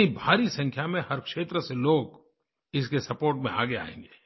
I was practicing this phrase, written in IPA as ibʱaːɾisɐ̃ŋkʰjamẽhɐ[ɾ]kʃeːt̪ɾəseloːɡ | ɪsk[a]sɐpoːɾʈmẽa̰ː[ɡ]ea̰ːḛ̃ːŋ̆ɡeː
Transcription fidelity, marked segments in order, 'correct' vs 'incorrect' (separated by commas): correct, incorrect, correct